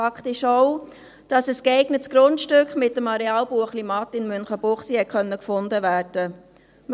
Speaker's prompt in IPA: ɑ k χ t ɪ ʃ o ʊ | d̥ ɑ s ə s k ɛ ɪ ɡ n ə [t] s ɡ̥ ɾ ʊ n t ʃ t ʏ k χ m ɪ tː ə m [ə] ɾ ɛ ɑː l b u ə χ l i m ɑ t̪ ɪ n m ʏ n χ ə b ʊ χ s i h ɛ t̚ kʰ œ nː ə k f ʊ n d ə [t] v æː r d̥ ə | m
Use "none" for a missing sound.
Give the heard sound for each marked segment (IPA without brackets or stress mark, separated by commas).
t, ɑ, none